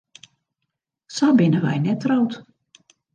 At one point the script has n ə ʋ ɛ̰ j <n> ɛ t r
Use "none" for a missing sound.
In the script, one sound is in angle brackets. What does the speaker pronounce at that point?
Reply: n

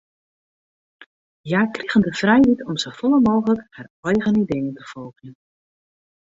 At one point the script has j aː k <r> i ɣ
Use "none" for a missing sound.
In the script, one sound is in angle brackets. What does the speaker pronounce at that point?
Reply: r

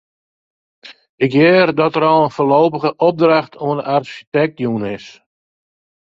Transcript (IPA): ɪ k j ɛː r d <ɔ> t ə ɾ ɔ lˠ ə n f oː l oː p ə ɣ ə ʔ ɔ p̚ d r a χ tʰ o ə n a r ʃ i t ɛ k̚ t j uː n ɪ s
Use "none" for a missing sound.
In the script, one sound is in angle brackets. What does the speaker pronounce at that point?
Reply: ɔ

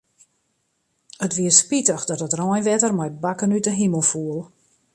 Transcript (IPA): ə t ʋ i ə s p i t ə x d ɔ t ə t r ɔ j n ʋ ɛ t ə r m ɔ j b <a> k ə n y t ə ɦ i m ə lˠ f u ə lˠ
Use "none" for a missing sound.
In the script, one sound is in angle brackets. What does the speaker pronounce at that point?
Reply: a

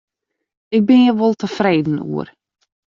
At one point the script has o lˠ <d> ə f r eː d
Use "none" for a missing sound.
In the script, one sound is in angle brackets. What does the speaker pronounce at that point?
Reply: t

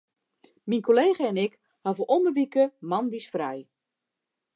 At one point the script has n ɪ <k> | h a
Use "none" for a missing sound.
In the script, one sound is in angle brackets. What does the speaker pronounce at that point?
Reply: k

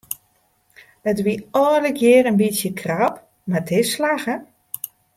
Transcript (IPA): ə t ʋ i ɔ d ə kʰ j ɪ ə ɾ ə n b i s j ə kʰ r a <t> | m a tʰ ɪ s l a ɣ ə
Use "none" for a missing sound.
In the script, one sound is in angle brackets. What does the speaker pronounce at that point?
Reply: p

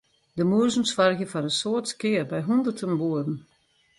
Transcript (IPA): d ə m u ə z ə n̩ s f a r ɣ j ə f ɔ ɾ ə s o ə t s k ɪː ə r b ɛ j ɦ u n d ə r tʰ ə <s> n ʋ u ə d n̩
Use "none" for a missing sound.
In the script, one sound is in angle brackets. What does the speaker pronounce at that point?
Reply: none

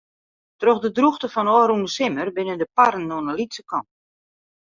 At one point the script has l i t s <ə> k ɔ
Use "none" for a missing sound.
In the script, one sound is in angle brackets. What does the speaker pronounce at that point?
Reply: ə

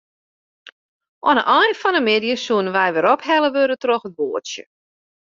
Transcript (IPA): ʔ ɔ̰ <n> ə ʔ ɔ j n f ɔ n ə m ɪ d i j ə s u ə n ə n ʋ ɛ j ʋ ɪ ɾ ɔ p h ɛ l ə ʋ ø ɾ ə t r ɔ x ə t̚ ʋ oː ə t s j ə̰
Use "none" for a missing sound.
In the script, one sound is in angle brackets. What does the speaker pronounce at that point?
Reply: n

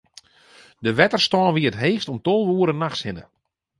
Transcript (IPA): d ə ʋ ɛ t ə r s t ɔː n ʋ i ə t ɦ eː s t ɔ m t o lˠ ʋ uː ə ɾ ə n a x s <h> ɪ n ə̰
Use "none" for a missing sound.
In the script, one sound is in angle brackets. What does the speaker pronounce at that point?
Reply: h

